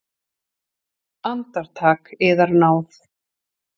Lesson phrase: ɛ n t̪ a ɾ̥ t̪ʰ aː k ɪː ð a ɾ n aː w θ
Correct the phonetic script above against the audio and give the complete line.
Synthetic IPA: a n t̪ a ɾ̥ t̪ʰ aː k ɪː ð a ɾ n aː w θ